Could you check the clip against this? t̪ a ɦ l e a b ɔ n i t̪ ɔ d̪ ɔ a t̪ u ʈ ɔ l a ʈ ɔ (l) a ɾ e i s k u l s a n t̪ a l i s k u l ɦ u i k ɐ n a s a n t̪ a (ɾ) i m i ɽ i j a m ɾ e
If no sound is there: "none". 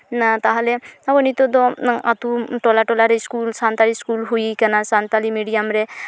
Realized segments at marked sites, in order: l, l

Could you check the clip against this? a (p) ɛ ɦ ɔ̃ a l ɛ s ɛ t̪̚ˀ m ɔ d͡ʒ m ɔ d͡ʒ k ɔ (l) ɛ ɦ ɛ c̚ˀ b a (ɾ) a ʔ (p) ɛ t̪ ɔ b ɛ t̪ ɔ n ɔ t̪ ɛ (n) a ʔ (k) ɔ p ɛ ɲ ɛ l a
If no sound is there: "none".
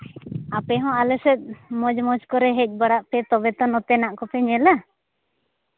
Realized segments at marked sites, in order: p, ɾ, ɽ, p, n, k

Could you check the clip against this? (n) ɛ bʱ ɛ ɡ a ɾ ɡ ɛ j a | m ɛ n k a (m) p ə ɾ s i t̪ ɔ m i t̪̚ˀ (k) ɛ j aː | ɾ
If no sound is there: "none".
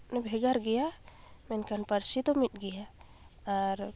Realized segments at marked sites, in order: n, n, ɡ

